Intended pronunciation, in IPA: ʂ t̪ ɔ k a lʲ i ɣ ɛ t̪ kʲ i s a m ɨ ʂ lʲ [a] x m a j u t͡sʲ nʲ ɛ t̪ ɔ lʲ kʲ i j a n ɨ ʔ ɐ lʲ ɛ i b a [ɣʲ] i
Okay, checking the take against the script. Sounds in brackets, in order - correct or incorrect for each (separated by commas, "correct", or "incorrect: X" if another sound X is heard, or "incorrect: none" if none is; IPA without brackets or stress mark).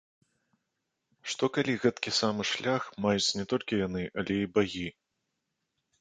correct, correct